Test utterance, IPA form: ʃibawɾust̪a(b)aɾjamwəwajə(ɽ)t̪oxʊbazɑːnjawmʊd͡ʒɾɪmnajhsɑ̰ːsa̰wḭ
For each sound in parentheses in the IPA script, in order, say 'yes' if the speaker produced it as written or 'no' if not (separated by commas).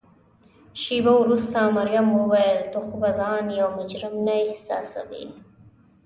no, no